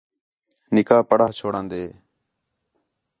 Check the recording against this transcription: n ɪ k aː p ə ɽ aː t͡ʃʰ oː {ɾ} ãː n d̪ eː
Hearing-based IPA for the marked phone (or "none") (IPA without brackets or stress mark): ɽ